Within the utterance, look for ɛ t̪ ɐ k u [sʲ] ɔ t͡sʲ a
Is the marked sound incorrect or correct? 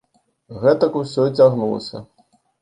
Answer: correct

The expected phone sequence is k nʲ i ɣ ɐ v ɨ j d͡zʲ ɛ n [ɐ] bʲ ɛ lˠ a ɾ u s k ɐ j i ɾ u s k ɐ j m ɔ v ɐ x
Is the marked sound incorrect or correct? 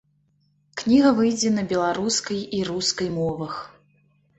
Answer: correct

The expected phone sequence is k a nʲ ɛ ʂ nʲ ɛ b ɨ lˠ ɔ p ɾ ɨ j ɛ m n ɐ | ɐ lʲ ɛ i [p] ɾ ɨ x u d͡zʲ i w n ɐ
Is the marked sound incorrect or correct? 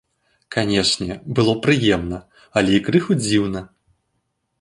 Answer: incorrect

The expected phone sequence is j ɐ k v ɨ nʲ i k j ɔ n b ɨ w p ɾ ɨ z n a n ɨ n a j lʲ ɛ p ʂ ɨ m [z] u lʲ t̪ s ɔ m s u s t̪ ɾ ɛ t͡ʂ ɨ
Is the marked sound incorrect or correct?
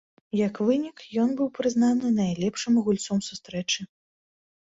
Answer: incorrect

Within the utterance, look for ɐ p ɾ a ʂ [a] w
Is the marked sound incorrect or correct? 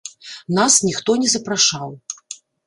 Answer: correct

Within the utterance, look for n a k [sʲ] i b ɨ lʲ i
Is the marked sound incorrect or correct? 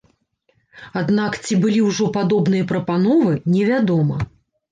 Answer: incorrect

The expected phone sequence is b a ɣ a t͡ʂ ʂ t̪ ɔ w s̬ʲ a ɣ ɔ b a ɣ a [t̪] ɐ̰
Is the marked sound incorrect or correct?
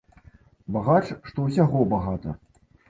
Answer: correct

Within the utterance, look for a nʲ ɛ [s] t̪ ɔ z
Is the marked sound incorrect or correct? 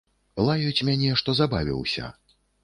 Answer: incorrect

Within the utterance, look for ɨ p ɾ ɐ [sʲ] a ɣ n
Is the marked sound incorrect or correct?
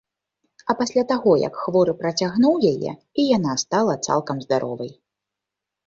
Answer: incorrect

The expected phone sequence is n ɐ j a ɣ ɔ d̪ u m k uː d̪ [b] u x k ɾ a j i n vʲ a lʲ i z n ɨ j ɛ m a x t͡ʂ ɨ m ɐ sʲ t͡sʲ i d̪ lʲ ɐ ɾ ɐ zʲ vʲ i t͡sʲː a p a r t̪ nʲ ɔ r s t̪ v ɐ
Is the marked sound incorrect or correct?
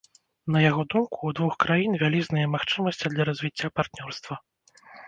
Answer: incorrect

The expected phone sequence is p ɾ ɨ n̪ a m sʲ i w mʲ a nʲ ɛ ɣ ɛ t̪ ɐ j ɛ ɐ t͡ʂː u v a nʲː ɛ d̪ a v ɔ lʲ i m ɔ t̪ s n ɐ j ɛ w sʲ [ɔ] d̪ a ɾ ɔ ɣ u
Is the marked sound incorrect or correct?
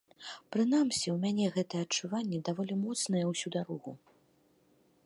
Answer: incorrect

